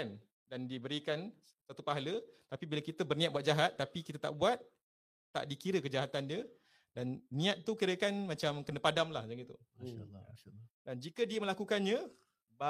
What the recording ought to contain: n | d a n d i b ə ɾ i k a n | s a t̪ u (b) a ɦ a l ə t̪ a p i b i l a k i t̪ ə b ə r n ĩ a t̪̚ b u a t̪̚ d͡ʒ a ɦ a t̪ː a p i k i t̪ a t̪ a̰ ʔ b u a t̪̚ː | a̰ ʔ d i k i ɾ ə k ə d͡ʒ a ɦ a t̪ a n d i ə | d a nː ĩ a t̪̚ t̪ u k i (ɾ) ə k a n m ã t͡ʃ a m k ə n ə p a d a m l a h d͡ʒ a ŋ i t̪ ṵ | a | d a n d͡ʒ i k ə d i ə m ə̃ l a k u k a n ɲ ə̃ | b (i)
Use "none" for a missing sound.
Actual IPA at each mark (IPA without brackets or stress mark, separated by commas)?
p, ɾ, a